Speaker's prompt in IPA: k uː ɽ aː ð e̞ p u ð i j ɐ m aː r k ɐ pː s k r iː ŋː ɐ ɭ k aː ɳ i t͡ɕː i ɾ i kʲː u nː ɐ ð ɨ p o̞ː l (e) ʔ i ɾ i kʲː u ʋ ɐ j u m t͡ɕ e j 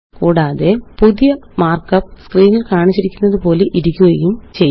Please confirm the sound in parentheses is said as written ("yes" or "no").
yes